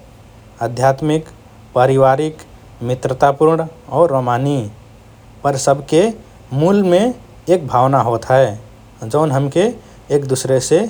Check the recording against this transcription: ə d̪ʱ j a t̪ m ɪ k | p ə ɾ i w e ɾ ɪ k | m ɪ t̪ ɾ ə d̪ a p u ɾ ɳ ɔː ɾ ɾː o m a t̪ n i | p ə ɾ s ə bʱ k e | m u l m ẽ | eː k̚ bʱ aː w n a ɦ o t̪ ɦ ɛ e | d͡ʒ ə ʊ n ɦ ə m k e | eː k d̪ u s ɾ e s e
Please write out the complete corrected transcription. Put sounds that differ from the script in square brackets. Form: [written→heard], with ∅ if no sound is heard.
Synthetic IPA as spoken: ə d̪ʱ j a t̪ m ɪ k | p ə ɾ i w [e→a] ɾ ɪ k | m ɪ t̪ ɾ ə [d̪→t̪] a p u ɾ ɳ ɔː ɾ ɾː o m a [t̪→∅] n i | p ə ɾ s ə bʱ k e | m u l m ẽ | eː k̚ bʱ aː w n a ɦ o t̪ ɦ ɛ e | d͡ʒ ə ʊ n ɦ ə m k e | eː k d̪ u s ɾ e s e